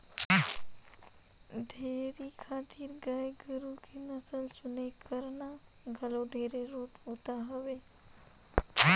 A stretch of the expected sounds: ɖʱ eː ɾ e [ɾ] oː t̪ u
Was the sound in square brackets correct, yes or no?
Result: yes